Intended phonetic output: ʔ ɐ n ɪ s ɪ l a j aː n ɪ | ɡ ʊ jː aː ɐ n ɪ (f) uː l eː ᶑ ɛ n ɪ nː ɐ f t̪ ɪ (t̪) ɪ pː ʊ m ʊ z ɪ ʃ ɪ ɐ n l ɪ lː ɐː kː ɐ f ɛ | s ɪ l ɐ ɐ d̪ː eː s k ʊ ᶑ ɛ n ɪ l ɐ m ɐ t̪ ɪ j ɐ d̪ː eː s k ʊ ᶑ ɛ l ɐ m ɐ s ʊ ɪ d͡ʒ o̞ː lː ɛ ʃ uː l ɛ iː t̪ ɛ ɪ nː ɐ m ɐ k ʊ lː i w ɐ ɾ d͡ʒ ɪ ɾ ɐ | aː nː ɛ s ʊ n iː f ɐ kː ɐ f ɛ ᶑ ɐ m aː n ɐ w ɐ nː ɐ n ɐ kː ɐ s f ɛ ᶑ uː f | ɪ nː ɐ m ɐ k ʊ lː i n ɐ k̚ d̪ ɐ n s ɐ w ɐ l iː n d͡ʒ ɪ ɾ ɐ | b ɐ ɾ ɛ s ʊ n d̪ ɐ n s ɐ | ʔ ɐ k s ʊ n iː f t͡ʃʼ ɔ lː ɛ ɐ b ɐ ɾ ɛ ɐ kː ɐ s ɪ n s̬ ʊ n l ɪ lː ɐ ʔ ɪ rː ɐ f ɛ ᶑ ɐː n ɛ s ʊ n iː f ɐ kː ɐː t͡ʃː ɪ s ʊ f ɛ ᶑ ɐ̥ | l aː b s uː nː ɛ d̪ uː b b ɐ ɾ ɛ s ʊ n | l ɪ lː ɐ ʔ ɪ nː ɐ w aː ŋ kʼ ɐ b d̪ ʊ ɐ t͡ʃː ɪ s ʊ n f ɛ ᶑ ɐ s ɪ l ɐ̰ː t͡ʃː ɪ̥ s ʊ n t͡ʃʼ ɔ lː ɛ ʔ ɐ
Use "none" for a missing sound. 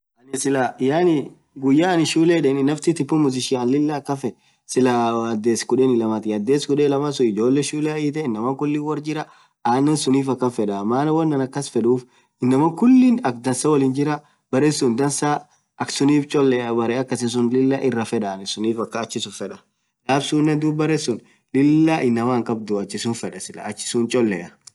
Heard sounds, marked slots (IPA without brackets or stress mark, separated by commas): ʃ, t̪